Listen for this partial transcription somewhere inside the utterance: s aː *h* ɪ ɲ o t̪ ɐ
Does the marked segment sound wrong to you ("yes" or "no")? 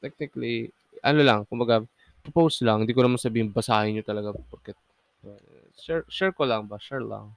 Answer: no